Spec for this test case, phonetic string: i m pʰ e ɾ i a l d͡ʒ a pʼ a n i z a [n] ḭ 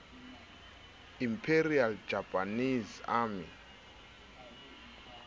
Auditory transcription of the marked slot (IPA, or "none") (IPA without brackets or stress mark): m